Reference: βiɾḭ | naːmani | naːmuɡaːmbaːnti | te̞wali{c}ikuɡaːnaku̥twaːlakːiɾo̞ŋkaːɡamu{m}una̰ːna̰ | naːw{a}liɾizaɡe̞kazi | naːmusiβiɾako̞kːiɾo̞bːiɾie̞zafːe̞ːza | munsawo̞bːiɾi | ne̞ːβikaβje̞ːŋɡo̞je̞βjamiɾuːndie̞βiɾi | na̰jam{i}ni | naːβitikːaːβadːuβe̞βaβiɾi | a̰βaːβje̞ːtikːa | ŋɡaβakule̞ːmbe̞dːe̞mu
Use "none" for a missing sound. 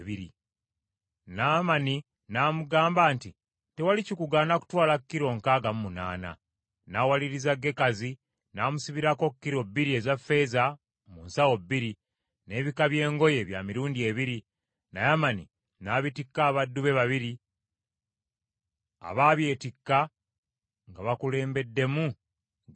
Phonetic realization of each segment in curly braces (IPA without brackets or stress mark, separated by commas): c, m, a, a